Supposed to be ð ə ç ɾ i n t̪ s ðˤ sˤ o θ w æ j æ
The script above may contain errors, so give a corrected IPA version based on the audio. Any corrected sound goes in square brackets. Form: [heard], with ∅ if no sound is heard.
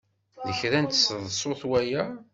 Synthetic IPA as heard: ð ə ç ɾ [æ] n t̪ s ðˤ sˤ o θ w æ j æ